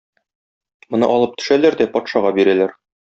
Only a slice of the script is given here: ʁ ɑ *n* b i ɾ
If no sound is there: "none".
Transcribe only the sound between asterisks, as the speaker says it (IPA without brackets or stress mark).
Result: none